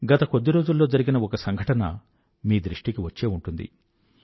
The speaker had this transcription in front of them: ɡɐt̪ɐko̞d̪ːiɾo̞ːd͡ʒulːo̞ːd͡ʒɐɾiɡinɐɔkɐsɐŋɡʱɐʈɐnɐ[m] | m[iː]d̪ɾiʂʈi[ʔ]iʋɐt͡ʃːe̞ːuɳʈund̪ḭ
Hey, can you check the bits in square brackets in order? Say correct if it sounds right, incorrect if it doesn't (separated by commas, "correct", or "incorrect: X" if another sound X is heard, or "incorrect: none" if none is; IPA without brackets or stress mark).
incorrect: none, correct, incorrect: k